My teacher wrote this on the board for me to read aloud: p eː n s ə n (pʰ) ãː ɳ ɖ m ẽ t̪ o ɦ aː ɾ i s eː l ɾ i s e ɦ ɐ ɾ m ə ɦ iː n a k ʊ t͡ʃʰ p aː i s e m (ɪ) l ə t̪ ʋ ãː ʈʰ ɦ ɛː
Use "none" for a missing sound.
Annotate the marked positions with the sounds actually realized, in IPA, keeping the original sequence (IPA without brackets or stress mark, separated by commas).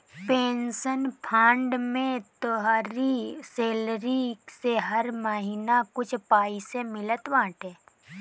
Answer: pʰ, ɪ